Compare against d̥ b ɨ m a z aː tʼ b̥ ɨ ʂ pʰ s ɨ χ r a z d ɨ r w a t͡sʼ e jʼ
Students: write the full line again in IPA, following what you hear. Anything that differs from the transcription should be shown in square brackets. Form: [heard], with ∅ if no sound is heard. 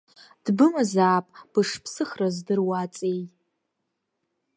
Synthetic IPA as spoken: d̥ b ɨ m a z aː [pʼ] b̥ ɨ ʂ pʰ s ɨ χ r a z d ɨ r w a t͡sʼ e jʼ